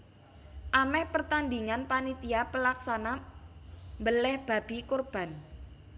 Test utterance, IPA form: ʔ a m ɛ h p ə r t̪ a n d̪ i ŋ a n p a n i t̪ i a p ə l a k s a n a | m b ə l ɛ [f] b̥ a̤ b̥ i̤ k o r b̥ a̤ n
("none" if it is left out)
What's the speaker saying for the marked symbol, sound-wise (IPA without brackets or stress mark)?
h